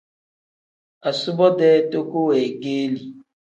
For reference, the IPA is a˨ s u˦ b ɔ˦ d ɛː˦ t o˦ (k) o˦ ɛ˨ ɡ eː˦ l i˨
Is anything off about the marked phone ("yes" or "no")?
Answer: no